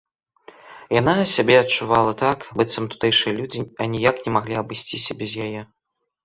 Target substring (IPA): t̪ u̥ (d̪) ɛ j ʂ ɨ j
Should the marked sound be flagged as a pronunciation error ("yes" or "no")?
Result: yes